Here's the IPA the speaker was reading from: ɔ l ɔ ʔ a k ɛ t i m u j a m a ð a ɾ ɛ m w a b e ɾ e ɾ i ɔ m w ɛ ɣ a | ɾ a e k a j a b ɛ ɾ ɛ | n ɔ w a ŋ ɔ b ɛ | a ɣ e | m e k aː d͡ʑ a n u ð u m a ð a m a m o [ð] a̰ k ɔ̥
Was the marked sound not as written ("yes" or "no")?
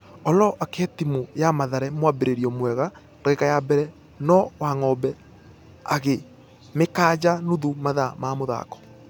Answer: no